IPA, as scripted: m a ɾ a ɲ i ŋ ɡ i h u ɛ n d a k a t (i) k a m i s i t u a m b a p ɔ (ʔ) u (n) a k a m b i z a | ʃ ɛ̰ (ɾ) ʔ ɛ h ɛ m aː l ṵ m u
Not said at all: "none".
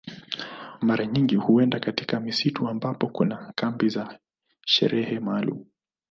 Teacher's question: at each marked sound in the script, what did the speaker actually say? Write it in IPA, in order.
i, k, n, ɾ

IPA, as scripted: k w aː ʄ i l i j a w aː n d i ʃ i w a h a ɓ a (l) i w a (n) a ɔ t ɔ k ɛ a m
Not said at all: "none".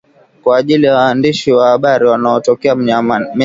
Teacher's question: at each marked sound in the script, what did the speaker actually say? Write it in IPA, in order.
ɾ, n

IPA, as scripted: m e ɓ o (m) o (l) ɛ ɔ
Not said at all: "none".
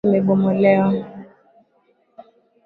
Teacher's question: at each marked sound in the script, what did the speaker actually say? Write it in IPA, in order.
m, l

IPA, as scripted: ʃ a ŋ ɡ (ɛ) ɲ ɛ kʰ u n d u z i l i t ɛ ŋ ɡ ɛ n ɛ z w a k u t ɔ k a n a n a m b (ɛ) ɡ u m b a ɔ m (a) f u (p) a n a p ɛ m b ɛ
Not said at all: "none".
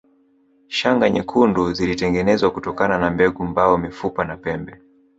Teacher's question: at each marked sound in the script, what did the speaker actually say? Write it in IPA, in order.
a, ɛ, i, p

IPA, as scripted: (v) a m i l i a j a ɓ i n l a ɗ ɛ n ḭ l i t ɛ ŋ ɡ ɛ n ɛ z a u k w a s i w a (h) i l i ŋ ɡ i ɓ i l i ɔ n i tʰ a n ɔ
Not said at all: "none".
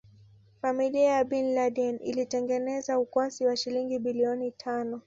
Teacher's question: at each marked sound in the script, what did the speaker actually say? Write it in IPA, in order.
f, ʃ

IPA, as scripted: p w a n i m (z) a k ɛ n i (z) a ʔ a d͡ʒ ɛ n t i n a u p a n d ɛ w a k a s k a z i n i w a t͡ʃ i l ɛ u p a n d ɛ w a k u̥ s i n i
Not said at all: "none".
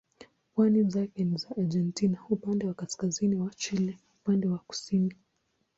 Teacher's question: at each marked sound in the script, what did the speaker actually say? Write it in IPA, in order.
z, z

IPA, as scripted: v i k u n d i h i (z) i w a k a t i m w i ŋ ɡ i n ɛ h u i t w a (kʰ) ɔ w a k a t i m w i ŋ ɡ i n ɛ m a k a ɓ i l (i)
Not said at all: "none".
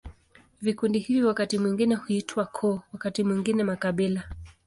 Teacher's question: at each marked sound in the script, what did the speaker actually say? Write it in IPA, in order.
v, kʰ, a

